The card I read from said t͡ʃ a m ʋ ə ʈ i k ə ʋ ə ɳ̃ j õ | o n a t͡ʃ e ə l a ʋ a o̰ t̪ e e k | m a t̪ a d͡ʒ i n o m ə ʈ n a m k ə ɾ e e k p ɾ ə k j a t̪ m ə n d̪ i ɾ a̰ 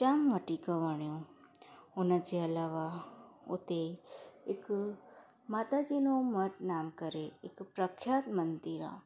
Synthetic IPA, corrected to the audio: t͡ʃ a m ʋ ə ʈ i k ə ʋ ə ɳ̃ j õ | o n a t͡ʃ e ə l a ʋ a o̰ t̪ e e k | m a t̪ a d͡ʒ i n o m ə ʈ n a m k ə ɾ e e k p ɾ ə kʰ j a t̪ m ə n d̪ i ɾ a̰